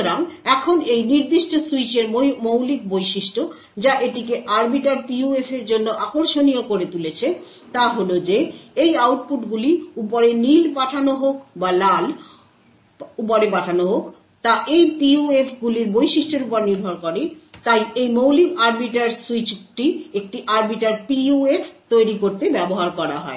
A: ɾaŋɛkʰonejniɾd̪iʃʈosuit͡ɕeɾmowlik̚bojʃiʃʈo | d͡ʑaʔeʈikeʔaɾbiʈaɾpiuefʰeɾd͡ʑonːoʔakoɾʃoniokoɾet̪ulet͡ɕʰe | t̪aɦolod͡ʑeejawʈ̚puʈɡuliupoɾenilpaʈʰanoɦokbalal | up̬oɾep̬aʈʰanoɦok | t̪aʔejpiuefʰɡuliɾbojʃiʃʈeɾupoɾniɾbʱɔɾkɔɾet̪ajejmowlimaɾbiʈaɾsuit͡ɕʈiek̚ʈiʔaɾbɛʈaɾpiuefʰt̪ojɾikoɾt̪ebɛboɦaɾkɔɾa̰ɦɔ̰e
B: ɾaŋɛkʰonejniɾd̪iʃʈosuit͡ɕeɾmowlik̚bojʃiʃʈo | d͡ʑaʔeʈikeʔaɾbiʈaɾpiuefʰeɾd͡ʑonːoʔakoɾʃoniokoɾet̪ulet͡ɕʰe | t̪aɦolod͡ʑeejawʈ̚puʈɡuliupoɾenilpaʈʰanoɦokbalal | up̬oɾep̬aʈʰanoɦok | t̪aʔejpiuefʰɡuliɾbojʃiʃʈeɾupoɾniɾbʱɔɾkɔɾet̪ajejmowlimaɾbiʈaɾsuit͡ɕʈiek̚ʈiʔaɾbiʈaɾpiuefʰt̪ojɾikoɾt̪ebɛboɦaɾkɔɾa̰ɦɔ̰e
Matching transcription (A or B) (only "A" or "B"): B